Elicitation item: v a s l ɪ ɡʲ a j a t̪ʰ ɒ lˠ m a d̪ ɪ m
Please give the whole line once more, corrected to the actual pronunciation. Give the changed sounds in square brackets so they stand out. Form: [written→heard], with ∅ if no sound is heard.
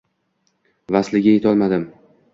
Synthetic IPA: v a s l ɪ ɡʲ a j [a→e] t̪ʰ ɒ lˠ m a d̪ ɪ m